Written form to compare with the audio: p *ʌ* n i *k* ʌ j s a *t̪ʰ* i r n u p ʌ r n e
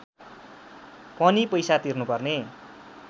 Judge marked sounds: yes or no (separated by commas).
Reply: yes, no, no